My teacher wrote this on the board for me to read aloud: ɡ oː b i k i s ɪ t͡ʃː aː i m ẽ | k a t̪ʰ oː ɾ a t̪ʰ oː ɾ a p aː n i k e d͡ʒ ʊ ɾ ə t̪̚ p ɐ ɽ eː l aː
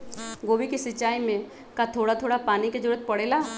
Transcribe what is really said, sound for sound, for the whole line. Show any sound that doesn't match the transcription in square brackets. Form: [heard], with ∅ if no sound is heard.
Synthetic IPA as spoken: ɡ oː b i k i s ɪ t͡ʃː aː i m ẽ | k a t̪ʰ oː [ɽ] a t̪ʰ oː [ɽ] a p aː n i k e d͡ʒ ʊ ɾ ə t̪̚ p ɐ ɽ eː l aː